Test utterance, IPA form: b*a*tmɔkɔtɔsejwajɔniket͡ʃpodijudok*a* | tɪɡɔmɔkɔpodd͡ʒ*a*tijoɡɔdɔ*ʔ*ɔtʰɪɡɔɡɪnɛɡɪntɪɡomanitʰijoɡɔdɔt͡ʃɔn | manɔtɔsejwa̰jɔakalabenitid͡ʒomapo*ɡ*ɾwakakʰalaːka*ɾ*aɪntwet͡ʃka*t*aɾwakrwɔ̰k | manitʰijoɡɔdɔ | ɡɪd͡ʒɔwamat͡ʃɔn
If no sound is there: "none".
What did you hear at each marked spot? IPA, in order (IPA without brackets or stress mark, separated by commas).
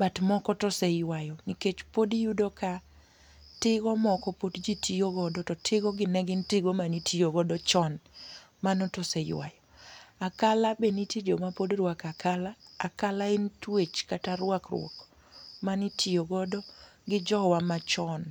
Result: a, a, i, t, d, l, t